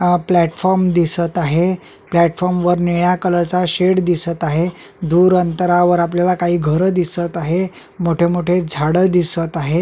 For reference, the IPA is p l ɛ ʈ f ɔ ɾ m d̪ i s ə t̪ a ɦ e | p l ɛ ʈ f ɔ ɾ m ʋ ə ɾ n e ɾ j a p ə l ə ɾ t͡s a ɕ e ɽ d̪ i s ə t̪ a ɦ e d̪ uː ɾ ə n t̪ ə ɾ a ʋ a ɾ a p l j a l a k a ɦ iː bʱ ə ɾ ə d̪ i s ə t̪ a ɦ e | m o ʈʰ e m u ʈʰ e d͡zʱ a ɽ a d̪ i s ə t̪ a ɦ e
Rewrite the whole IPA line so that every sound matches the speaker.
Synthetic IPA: p l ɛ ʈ f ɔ ɾ m d̪ i s ə t̪ a ɦ e | p l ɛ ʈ f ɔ ɾ m ʋ ə ɾ n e ɭ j a k ə l ə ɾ t͡s a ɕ e ɽ d̪ i s ə t̪ a ɦ e d̪ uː ɾ ə n t̪ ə ɾ a ʋ ə ɾ a p l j a l a k a ɦ iː ɡʱ ə ɾ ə d̪ i s ə t̪ a ɦ e | m o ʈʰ e m o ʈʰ e d͡zʱ a ɽ ə d̪ i s ə t̪ a ɦ e